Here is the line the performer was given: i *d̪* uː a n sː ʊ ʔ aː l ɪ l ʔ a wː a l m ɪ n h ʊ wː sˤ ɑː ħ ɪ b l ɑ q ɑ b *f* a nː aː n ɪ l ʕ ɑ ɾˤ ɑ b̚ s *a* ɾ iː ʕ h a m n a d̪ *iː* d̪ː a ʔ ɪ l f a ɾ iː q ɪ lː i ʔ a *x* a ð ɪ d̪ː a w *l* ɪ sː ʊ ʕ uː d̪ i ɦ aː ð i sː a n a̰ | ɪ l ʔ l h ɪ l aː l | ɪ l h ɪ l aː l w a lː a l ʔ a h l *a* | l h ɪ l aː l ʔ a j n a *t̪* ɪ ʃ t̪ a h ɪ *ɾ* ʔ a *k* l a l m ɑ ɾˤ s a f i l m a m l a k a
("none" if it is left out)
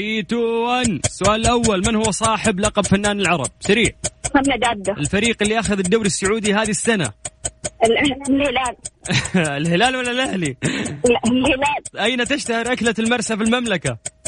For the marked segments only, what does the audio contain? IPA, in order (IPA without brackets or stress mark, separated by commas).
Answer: t̪, f, a, aː, x, ɾ, i, t̪, ɾ, k